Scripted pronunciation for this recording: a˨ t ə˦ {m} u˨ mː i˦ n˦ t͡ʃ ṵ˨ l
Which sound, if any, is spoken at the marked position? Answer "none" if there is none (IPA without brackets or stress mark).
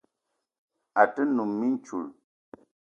n